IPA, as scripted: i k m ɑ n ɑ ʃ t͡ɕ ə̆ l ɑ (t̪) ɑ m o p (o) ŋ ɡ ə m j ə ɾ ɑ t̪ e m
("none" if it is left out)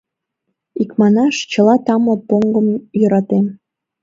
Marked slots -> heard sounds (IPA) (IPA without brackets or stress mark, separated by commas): t̪, o